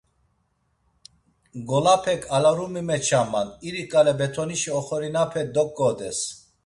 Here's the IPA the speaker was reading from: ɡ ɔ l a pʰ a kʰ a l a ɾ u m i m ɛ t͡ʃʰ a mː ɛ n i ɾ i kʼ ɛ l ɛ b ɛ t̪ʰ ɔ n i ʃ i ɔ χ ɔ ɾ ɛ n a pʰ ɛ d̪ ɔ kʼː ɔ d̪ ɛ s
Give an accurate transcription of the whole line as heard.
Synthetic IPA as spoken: ɡ ɔ l a pʰ ɛ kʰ a l a ɾ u m i m ɛ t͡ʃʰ a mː a n i ɾ i kʼ a l ɛ b ɛ t̪ʰ ɔ n i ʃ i ɔ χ ɔ ɾ i n a pʰ ɛ d̪ ɔ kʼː ɔ d̪ ɛ s